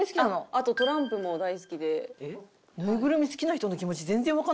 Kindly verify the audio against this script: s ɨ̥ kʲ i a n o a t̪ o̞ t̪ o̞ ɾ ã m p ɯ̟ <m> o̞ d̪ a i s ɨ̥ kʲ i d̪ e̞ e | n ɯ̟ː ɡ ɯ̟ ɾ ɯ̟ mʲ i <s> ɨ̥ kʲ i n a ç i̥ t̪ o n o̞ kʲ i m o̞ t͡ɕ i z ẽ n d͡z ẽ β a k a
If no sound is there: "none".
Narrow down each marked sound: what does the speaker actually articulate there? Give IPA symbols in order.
m, s

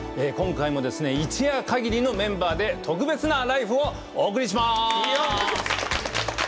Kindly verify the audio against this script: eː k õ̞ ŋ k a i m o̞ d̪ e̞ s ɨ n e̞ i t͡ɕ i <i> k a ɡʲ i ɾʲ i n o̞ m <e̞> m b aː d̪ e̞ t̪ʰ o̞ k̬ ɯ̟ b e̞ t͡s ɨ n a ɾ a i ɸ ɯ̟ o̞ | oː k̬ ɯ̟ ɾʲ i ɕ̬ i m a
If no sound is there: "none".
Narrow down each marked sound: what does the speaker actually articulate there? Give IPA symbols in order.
a, ẽ̞

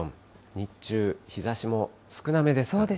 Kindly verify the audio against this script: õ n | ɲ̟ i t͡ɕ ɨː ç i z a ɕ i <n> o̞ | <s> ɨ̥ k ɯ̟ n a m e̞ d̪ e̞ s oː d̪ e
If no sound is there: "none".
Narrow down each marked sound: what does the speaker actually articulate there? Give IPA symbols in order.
m, s

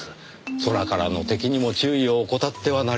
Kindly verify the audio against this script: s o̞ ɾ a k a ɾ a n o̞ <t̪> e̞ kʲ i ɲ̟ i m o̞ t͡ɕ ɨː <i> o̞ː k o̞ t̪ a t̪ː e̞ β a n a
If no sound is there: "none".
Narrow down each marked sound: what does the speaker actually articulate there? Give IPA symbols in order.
t̪, i

